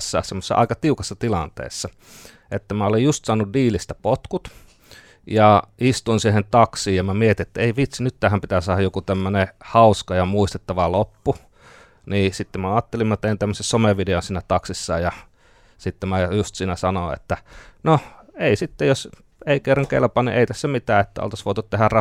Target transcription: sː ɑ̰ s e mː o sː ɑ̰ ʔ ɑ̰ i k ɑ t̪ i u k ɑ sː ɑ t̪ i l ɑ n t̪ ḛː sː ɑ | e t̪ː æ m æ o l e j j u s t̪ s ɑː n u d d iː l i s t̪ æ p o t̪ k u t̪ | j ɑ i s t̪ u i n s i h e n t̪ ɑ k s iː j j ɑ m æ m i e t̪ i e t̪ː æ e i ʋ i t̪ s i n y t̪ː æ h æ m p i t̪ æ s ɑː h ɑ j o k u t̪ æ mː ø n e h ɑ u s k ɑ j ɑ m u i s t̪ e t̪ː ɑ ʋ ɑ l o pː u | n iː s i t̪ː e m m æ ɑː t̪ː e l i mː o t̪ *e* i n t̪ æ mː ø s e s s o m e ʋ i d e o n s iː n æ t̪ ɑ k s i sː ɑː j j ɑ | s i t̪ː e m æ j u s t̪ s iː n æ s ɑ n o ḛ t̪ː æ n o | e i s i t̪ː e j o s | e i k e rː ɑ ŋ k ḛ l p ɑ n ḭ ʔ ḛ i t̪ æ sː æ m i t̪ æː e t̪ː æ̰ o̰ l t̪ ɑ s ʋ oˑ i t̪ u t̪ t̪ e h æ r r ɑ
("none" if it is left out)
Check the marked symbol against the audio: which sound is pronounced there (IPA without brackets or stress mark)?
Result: e